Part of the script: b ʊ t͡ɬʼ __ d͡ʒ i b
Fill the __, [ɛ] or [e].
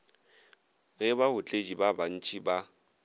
e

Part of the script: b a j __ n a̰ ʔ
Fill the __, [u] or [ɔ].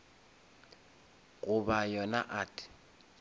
ɔ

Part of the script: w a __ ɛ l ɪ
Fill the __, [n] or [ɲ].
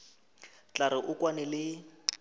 n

